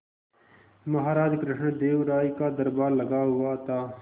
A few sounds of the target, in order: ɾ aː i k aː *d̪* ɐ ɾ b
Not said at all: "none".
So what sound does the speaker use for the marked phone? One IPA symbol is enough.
d̪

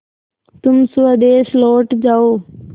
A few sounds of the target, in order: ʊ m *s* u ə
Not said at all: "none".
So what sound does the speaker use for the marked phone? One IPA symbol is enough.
s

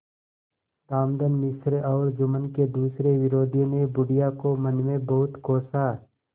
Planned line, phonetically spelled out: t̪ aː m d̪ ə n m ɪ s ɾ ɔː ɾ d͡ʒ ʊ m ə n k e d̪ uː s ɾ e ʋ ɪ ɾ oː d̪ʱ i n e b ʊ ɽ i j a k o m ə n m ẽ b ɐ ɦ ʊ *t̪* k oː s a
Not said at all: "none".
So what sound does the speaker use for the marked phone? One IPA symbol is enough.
t̪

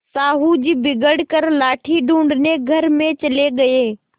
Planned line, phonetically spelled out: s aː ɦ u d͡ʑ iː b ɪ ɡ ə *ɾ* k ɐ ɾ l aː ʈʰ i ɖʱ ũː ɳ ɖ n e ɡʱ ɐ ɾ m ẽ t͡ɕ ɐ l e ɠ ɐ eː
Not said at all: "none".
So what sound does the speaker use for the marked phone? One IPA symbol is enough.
ɽ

